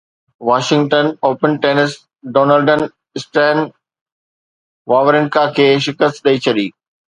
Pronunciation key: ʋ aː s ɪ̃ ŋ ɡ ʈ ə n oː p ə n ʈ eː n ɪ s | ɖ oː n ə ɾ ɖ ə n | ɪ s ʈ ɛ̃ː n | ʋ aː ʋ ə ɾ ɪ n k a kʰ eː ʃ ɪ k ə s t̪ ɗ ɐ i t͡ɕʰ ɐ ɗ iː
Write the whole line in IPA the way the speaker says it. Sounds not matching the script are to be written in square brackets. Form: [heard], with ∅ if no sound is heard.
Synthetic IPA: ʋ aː [ʃ] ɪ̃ ŋ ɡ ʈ ə n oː p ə n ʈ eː n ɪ s | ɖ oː n ə [l] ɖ ə n | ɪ s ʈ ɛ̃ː n | ʋ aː ʋ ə ɾ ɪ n k a kʰ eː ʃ ɪ k ə s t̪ ɗ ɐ i t͡ɕʰ ɐ ɗ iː

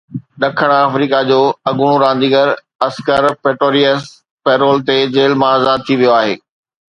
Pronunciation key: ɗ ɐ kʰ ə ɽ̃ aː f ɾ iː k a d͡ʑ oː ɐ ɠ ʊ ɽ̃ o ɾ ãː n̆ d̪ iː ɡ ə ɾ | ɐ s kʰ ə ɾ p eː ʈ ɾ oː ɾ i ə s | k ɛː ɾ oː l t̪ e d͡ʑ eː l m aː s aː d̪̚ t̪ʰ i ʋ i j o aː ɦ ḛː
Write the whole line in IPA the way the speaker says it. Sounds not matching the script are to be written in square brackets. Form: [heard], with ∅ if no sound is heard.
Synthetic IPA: ɗ ɐ kʰ ə ɽ̃ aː f ɾ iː k a d͡ʑ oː ɐ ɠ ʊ ɽ̃ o ɾ ãː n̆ d̪ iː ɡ ə ɾ | ɐ s [k] ə ɾ p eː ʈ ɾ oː ɾ i ə s | [p] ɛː ɾ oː l t̪ e d͡ʑ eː l m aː [z] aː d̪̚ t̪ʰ i ʋ i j o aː ɦ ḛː

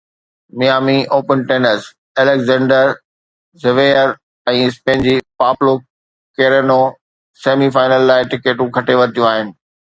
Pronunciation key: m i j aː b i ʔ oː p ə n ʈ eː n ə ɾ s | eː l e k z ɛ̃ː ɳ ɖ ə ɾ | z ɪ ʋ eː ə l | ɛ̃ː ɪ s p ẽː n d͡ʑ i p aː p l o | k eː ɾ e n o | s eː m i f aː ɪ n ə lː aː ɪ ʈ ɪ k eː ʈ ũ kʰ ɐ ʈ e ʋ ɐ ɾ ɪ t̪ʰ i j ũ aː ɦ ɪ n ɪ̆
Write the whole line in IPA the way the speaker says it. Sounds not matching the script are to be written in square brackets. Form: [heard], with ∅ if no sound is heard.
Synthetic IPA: m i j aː [m] i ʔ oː p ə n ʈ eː n ə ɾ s | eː l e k z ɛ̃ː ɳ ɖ ə ɾ | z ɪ ʋ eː ə [ɾ] | ɛ̃ː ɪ s p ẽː n d͡ʑ i p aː p l o | k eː ɾ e n o | s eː m i f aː ɪ n ə lː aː ɪ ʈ ɪ k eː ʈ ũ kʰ ɐ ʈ e ʋ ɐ ɾ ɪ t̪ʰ i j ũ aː ɦ ɪ n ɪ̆

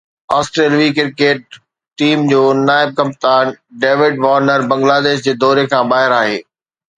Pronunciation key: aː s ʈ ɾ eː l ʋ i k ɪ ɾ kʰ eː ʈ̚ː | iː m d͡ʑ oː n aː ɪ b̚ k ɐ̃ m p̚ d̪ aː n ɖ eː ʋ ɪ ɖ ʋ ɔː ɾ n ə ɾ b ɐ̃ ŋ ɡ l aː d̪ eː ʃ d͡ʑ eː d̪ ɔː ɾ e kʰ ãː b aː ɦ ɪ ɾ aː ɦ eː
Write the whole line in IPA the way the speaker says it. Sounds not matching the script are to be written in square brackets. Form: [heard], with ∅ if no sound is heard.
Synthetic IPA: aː s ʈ ɾ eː l ʋ i k ɪ ɾ [k] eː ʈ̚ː | iː m d͡ʑ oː n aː ɪ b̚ k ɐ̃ m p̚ [t̪] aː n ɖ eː ʋ ɪ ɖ ʋ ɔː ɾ n ə ɾ b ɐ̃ ŋ ɡ l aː d̪ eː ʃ d͡ʑ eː d̪ ɔː ɾ e kʰ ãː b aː ɦ ɪ ɾ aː ɦ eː

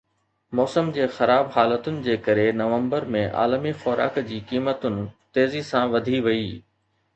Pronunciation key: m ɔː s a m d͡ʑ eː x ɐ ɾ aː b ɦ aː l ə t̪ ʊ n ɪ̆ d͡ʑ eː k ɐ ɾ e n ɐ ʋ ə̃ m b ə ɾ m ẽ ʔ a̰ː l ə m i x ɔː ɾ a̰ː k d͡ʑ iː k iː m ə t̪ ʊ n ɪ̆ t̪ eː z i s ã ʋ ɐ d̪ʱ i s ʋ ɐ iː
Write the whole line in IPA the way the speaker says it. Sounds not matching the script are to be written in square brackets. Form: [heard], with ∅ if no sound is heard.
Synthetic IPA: m ɔː s [ə] m d͡ʑ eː x ɐ ɾ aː b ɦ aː l ə t̪ ʊ n ɪ̆ d͡ʑ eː k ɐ ɾ e n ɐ ʋ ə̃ m b ə ɾ m ẽ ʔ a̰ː l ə m i x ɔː ɾ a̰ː k d͡ʑ iː k iː m ə t̪ ʊ n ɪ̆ t̪ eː z i s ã ʋ ɐ d̪ʱ i [∅] ʋ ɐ iː

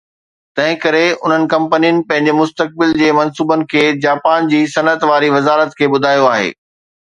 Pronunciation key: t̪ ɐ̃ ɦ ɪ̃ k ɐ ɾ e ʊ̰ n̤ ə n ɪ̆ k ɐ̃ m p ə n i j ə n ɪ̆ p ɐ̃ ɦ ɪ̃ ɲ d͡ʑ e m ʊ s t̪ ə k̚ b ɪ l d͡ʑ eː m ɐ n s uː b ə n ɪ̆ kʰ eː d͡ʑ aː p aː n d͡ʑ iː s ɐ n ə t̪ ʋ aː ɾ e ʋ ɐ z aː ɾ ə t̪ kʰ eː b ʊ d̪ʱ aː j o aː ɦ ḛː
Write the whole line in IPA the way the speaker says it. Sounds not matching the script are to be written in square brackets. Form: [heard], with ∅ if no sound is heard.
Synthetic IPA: t̪ ɐ̃ ɦ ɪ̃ k ɐ ɾ e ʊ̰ n̤ ə n ɪ̆ k ɐ̃ m p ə n i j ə n ɪ̆ p ɐ̃ ɦ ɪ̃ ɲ d͡ʑ e m ʊ s t̪ ə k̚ b ɪ l d͡ʑ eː m ɐ n s uː b ə n ɪ̆ kʰ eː d͡ʑ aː p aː n d͡ʑ iː s ɐ n ə t̪ ʋ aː ɾ [i] ʋ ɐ z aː ɾ ə t̪ kʰ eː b ʊ d̪ʱ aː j o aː ɦ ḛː

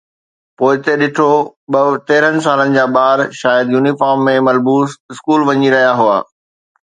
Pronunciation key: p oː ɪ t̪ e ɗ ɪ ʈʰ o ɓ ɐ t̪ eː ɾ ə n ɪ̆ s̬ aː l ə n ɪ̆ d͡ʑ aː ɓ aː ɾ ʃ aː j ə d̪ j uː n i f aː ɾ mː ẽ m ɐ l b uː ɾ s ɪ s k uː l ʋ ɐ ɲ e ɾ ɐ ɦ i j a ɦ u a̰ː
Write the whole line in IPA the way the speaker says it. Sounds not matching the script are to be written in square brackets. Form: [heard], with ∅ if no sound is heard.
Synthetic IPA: p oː ɪ t̪ e ɗ ɪ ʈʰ o ɓ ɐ t̪ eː ɾ ə n ɪ̆ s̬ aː l ə n ɪ̆ d͡ʑ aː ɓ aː ɾ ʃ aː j ə d̪ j uː n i f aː ɾ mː ẽ m ɐ l b uː [∅] s ɪ s k uː l ʋ ɐ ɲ [i] ɾ ɐ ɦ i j a ɦ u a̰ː

